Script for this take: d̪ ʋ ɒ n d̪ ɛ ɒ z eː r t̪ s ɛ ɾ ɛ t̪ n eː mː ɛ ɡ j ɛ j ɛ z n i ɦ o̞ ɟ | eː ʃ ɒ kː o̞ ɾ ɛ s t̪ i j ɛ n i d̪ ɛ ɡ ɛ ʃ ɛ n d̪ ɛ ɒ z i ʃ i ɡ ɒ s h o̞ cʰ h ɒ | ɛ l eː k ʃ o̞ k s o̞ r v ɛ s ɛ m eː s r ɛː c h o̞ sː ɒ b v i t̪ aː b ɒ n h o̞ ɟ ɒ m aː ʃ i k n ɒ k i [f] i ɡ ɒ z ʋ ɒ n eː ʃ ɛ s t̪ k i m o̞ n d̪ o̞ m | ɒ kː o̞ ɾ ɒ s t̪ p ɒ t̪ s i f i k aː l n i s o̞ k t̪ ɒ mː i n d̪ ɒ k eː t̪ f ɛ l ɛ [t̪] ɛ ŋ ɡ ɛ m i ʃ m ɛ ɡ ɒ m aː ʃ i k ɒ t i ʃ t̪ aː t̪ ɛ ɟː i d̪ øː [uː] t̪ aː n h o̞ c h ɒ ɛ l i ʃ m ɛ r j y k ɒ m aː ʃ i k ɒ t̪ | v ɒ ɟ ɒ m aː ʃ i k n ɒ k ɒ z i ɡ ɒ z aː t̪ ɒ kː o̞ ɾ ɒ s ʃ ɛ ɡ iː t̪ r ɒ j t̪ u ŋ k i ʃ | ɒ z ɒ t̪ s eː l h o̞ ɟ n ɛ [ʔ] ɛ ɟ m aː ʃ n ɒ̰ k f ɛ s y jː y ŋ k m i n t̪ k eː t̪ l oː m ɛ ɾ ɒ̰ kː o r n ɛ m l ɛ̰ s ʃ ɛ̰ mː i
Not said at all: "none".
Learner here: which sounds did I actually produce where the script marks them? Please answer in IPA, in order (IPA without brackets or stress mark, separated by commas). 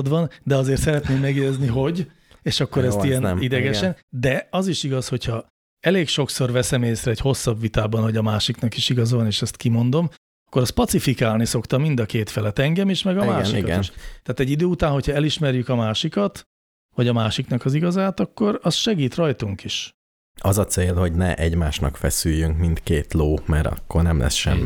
ʃ, t̪, u, ʔ